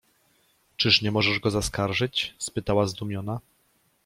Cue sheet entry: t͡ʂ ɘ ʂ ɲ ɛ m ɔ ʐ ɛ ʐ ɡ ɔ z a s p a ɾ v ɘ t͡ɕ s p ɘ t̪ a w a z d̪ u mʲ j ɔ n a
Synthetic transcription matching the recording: t͡ʂ ɘ ʂ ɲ ɛ m ɔ ʐ ɛ ʐ ɡ ɔ z a s k a ɾ ʐ ɘ t͡ɕ s p ɘ t̪ a w a z d̪ u mʲ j ɔ n a